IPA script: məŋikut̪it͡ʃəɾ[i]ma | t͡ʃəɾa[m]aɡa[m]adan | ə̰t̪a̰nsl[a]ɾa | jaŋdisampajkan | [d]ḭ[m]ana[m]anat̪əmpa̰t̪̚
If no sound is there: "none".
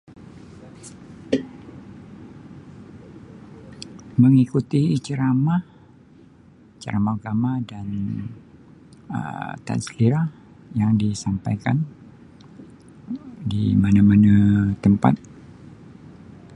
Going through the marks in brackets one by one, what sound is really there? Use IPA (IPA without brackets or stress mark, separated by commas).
a, m, m, i, d, m, m